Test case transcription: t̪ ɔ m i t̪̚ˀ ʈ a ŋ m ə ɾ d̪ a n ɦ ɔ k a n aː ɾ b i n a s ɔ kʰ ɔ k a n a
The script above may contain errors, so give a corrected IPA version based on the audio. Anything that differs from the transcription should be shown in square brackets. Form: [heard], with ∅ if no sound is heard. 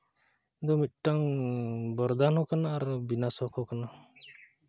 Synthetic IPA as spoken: [d̪] ɔ m i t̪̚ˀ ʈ a ŋ [b] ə ɾ d̪ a n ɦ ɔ k a n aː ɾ b i n a s ɔ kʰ ɔ k a n a

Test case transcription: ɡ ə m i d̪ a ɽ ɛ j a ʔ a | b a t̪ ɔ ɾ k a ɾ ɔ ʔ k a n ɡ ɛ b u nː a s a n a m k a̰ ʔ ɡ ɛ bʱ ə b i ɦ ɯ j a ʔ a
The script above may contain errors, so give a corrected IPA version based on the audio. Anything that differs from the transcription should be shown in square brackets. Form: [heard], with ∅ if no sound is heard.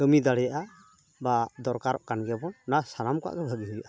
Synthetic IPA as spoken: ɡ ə m i d̪ a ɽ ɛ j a ʔ a | b a [d̪] ɔ ɾ k a ɾ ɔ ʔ k a n ɡ ɛ b [ɔ] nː a s a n a m k a̰ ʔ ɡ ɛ bʱ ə [ɡ] i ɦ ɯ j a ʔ a

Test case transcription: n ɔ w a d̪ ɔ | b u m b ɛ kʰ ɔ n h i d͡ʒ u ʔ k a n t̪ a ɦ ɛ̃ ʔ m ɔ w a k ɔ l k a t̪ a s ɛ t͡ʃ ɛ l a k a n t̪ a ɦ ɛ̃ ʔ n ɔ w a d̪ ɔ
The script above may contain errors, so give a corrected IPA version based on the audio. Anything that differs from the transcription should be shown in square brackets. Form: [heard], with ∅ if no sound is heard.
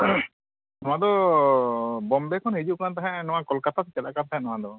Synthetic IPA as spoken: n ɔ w a d̪ ɔ | b [ɔ] m b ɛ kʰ ɔ n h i d͡ʒ u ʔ k a n t̪ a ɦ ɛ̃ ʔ [n] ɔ w a k ɔ l k a t̪ a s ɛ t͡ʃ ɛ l a k a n t̪ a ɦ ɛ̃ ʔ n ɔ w a d̪ ɔ

